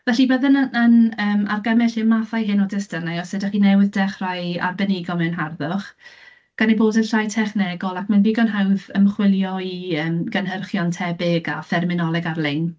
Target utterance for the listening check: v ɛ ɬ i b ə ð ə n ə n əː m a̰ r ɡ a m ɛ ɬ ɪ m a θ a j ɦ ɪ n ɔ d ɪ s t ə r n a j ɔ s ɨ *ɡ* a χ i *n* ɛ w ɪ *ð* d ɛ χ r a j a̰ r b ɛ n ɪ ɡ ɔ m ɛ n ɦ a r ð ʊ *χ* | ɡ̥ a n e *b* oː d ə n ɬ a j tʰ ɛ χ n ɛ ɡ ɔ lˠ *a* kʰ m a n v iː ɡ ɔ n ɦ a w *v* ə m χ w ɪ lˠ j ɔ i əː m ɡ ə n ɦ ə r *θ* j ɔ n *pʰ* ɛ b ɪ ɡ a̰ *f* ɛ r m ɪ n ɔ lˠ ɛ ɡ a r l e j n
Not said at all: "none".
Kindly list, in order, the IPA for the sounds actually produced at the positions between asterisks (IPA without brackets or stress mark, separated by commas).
d, n, ð, χ, b, a, ð, χ, tʰ, f